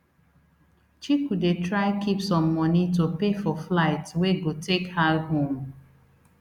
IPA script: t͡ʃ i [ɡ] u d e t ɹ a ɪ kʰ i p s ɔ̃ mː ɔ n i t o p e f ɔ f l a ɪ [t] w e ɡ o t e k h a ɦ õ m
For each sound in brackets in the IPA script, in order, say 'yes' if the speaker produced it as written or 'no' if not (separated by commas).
no, yes